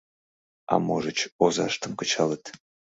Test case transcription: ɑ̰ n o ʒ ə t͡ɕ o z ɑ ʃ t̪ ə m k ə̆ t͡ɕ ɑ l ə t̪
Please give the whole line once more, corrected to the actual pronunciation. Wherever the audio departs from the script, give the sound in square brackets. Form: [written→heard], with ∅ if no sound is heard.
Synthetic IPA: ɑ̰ [n→m] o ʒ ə t͡ɕ o z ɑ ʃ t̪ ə m k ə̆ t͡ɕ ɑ l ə t̪